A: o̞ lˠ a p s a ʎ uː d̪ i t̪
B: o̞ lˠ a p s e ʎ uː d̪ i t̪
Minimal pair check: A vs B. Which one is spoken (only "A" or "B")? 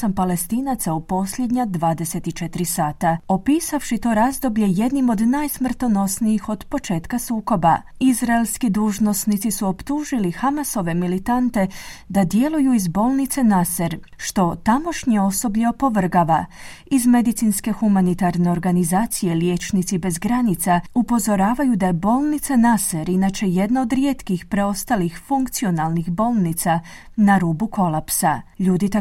A